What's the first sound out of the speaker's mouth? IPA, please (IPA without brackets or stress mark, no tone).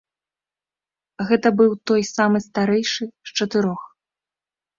ɣ